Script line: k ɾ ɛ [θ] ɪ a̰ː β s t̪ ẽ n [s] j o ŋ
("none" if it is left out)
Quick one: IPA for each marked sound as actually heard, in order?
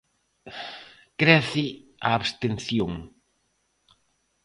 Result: θ, θ

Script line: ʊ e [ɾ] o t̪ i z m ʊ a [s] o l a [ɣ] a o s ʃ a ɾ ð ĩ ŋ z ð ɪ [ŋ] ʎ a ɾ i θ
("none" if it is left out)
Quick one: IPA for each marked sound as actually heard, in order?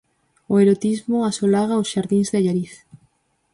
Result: ɾ, s, ɣ, none

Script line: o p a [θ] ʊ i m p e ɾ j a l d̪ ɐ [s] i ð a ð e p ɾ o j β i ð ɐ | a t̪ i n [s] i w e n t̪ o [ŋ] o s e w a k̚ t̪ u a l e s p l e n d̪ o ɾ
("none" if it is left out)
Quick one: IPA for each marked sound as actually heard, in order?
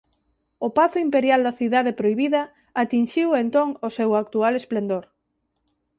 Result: θ, θ, ʃ, ŋ

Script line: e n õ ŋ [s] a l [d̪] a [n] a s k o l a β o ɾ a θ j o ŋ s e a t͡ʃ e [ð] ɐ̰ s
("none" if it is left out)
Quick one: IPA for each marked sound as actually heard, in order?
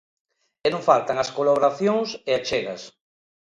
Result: f, t̪, ŋ, ɣ

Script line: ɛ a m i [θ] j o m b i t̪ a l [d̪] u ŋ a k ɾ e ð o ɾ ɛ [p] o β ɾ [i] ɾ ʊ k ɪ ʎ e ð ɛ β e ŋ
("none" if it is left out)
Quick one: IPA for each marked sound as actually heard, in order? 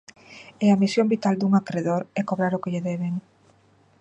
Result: s, d̪, k, a

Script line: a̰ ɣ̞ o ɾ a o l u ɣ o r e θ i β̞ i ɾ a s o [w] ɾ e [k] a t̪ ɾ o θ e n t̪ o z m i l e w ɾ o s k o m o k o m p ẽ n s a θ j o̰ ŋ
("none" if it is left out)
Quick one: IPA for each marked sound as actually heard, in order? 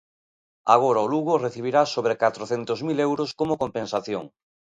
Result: β, k

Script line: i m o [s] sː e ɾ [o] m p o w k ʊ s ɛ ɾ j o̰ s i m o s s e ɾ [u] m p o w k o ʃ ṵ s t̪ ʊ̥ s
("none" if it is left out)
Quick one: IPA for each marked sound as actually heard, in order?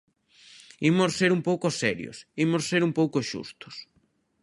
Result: s, u, u

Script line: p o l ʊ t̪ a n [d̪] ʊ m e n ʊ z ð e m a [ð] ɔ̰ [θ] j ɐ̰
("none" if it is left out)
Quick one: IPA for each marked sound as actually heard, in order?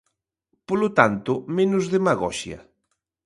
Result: t̪, ɣ, ʃ

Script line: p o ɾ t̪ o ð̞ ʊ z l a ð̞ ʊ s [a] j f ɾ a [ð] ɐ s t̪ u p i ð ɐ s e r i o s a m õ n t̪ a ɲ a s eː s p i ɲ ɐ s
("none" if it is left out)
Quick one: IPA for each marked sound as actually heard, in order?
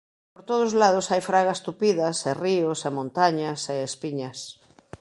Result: a, ɣ

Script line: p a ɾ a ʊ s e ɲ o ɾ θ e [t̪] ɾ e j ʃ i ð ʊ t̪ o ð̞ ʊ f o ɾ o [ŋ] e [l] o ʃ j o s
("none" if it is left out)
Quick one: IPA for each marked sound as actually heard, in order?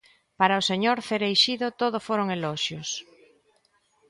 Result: none, ŋ, l

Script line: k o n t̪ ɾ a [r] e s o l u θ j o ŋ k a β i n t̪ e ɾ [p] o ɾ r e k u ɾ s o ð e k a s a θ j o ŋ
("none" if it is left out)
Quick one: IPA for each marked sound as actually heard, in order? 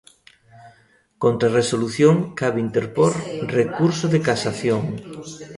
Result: r, p

